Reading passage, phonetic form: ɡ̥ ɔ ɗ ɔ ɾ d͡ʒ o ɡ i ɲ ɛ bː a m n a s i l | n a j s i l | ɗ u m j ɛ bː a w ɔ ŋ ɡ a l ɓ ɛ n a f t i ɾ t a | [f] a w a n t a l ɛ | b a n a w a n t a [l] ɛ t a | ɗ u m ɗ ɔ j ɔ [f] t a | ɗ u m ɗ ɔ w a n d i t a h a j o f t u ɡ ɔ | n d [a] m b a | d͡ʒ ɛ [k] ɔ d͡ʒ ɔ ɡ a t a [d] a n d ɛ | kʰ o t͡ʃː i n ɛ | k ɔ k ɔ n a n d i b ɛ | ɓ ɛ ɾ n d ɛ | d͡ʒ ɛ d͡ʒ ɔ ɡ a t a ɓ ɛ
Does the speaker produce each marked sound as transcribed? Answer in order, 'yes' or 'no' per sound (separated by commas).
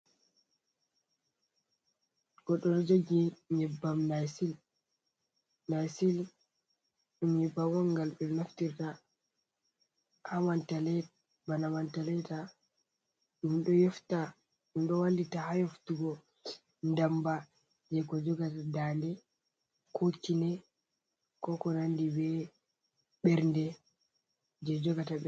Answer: no, yes, yes, yes, yes, yes